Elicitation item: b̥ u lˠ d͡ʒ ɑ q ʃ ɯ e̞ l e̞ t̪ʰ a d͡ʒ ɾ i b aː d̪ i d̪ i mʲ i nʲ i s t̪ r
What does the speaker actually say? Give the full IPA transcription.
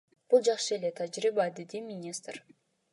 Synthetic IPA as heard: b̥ u lˠ d͡ʒ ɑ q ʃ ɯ e̞ l e̞ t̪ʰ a d͡ʒ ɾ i b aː d̪ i d̪ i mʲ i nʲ i s t̪ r